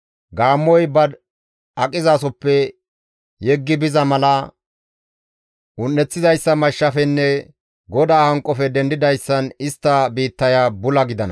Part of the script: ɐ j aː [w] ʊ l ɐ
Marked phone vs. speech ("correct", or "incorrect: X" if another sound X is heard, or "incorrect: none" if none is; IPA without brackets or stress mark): incorrect: b